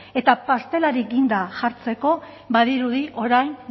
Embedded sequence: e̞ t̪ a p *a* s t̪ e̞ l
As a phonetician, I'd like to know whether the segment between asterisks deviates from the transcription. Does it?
no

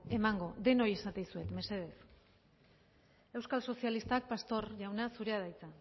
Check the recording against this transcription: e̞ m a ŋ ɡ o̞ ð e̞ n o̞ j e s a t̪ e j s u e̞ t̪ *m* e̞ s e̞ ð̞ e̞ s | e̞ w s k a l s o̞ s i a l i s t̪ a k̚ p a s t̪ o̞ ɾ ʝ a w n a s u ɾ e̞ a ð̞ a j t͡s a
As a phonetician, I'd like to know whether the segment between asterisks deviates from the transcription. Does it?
no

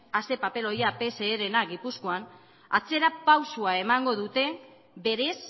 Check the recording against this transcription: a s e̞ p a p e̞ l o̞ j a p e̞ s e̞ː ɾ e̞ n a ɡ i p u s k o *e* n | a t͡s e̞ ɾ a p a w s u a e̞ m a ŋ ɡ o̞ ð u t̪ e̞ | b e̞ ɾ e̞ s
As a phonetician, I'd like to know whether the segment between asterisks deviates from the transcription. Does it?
yes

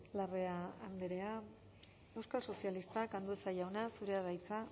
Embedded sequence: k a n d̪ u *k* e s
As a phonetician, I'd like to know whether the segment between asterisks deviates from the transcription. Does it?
yes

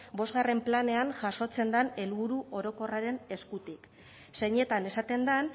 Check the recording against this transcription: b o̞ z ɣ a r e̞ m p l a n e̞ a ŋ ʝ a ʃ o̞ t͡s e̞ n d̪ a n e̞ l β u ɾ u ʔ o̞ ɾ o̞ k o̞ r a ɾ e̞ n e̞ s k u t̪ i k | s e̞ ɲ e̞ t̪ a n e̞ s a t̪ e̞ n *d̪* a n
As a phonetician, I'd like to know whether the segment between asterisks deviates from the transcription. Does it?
no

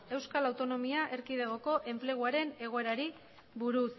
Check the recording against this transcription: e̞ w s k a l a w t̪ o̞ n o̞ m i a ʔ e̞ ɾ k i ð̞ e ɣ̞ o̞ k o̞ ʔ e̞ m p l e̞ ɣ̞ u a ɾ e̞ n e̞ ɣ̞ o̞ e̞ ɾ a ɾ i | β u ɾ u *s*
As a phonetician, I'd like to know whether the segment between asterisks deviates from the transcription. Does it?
no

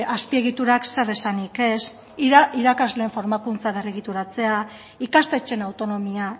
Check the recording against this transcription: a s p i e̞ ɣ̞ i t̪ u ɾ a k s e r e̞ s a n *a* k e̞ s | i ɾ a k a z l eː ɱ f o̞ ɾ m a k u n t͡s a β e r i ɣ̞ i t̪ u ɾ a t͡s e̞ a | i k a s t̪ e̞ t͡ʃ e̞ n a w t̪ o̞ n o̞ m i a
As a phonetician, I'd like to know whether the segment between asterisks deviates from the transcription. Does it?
yes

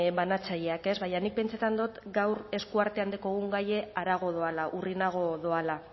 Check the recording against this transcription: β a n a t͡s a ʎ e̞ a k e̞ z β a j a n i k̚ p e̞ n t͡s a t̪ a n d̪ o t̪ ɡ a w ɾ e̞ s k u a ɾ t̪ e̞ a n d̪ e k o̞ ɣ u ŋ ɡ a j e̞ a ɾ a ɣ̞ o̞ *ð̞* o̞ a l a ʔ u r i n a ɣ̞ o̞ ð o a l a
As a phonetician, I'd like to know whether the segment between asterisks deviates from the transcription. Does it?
no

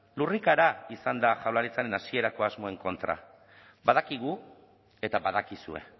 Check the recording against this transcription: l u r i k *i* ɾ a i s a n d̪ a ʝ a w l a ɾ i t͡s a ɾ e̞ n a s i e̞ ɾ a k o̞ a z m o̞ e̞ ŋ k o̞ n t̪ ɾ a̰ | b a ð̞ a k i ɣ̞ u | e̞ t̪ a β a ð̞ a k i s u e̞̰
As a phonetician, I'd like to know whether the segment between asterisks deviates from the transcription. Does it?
yes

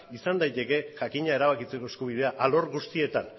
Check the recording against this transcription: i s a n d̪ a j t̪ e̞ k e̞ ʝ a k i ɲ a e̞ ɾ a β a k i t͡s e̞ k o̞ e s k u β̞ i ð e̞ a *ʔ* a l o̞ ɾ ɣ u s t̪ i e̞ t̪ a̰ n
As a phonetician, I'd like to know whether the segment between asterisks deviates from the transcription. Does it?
no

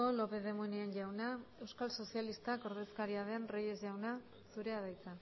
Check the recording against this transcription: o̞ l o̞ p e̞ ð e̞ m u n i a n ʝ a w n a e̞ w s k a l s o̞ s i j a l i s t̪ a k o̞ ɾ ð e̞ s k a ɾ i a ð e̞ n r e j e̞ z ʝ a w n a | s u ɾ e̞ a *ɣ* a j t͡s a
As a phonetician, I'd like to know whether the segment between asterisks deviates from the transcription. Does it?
yes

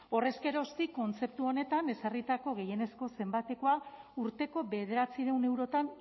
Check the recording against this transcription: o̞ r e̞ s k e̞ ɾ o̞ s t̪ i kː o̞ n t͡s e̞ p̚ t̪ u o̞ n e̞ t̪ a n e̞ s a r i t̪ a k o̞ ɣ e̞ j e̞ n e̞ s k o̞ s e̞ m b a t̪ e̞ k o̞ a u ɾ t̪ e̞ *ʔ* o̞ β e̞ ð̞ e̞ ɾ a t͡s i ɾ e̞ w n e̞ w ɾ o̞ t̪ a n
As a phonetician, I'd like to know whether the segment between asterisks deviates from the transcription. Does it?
yes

